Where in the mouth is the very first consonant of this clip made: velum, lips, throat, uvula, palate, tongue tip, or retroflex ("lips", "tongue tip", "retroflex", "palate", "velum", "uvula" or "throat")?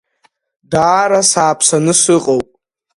tongue tip